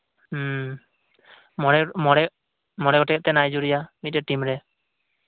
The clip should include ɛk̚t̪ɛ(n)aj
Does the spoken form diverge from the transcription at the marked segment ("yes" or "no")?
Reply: no